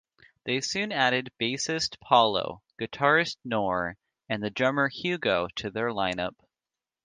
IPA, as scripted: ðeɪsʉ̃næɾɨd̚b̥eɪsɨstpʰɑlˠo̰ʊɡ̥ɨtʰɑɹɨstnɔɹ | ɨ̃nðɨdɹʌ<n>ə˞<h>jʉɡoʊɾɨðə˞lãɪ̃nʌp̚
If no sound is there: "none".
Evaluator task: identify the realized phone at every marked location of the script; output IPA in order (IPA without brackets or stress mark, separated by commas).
m, h